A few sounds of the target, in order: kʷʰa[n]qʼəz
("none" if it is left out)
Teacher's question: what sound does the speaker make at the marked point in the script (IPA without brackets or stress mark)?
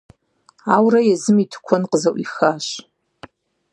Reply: n